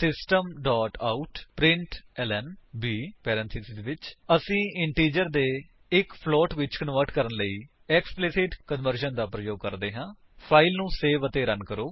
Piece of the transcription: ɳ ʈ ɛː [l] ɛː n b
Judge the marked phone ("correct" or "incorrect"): correct